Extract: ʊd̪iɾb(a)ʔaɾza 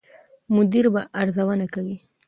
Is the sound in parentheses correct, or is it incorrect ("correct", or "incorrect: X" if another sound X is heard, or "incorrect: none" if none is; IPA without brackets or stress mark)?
correct